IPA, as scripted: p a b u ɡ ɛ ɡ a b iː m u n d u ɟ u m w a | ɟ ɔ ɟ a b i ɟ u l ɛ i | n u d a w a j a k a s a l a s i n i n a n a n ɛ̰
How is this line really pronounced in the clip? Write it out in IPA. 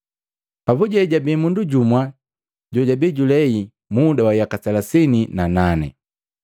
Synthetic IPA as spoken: p a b u ɟ ɛ ɟ a b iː m u n d u ɟ u m w a | ɟ ɔ ɟ a b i ɟ u l ɛ i | m u d a w a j a k a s a l a s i n i n a n a n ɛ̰